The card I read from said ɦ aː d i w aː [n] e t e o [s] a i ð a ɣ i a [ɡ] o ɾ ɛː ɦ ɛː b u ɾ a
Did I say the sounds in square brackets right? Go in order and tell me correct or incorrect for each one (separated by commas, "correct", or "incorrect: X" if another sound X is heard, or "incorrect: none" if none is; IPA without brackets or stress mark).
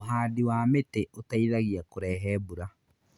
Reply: incorrect: m, incorrect: t, incorrect: k